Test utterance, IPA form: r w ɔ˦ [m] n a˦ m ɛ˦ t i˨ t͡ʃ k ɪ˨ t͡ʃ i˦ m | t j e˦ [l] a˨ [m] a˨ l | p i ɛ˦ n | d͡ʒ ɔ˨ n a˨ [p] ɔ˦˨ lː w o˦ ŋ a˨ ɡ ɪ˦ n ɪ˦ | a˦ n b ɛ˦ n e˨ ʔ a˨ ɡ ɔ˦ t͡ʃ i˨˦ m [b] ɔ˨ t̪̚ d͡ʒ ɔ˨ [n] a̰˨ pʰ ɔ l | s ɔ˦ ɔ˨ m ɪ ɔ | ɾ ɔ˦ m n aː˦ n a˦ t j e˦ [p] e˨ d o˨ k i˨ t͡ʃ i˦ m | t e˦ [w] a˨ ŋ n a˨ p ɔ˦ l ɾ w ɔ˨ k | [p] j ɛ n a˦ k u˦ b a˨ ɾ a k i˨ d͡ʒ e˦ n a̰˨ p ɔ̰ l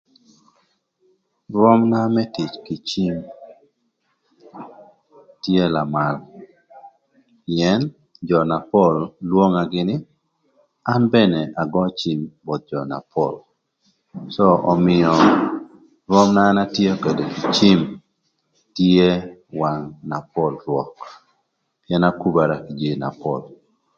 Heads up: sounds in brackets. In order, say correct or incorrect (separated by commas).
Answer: correct, correct, correct, correct, correct, correct, incorrect, correct, correct